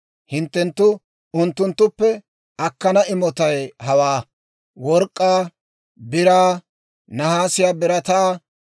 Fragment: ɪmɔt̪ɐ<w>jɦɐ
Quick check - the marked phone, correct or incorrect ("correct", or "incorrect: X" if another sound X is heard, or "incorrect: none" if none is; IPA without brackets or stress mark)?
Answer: incorrect: none